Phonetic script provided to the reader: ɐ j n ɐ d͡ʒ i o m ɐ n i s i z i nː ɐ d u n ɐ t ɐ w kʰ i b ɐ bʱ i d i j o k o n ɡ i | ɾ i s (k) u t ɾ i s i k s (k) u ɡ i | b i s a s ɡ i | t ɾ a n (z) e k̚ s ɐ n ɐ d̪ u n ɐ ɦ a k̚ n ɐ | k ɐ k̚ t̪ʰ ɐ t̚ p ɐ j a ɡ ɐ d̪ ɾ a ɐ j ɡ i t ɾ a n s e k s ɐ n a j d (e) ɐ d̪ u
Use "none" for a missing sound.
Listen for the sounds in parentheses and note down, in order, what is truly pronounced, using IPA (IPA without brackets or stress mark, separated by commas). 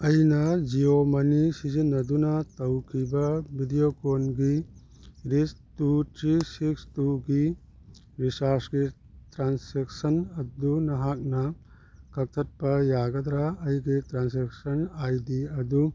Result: t, t, s, i